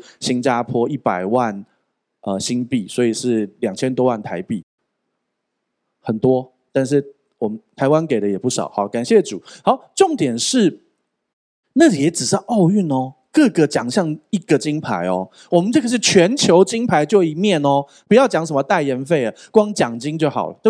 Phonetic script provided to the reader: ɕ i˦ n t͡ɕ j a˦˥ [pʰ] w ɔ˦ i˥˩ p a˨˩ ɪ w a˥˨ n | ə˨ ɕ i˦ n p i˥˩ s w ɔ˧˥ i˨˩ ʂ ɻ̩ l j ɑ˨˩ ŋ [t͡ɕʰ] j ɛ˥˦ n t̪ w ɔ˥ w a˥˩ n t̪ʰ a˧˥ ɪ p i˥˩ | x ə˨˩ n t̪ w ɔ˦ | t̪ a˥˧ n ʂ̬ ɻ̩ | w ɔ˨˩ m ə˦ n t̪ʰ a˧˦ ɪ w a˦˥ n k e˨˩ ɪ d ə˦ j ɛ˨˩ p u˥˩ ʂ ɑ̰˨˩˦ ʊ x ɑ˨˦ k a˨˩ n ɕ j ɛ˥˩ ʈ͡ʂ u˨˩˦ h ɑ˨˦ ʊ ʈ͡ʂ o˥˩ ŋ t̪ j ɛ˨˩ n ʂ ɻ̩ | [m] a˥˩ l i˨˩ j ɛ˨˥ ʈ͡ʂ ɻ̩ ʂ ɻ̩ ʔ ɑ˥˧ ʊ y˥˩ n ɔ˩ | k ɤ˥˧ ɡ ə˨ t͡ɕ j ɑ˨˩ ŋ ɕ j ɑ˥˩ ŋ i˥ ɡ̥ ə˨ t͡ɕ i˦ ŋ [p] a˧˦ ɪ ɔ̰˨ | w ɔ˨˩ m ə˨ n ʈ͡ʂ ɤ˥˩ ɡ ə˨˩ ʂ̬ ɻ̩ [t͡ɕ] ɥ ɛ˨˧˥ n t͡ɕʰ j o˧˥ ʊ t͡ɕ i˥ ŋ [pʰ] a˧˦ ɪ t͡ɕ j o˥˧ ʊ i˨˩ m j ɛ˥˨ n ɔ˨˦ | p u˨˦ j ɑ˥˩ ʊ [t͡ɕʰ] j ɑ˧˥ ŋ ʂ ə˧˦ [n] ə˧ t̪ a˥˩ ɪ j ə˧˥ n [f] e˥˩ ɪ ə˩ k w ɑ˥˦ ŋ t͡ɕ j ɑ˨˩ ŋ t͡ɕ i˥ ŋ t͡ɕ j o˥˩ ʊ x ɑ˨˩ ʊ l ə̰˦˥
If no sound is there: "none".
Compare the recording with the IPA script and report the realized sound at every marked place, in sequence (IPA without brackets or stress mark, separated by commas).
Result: pʰ, t͡ɕʰ, n, pʰ, t͡ɕʰ, pʰ, t͡ɕ, m, f